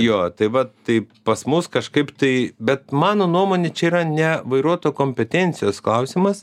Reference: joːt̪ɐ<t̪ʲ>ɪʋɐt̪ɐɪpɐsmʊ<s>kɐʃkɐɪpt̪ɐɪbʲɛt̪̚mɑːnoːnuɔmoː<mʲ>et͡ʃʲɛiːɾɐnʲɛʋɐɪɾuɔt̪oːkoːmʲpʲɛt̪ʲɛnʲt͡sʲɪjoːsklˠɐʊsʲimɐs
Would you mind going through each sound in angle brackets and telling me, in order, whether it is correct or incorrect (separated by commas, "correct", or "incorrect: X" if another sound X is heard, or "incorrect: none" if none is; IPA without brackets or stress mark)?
incorrect: none, correct, incorrect: nʲ